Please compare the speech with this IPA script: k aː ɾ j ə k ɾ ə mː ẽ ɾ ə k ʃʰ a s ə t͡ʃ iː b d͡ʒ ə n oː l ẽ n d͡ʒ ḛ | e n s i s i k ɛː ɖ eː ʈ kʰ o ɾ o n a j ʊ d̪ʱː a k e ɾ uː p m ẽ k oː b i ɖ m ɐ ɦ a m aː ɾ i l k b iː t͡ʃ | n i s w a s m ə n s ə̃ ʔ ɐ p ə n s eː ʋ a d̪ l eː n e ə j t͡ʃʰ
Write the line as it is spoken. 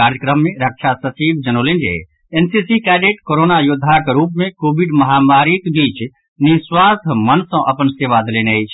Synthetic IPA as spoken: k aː ɾ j ə k ɾ ə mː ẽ ɾ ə k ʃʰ a s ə t͡ʃ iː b d͡ʒ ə n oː l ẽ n d͡ʒ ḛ | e n s i s i k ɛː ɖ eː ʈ k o ɾ o n a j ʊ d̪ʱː a k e ɾ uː p m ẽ k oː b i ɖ m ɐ ɦ a m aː ɾ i k b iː t͡ʃ | n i s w a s m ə n s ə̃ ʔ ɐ p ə n s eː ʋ a d̪ l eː n e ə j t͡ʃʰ